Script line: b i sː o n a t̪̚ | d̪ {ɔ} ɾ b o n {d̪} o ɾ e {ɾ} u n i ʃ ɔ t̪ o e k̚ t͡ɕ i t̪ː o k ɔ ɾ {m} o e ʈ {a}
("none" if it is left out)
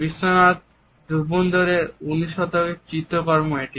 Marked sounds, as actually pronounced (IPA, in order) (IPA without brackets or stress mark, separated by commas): u, d̪, ɾ, m, i